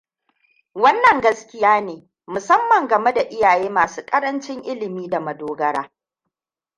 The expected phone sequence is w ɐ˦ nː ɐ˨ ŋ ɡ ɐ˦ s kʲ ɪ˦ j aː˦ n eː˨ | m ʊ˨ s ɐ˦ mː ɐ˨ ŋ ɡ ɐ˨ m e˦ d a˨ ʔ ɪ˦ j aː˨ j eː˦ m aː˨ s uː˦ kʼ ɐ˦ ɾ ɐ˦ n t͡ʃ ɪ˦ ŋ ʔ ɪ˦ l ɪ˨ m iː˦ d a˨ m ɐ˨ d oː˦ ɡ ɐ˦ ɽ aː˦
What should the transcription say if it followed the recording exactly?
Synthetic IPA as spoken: w ɐ˦ nː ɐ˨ ŋ ɡ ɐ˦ s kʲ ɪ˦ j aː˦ n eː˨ | m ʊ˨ s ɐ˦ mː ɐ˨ ŋ ɡ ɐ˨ m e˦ d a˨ ʔ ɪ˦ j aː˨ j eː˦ m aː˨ s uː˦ kʼ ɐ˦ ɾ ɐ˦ n t͡ʃ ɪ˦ ŋ ʔ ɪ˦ l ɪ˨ m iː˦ d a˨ m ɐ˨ d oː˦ ɡ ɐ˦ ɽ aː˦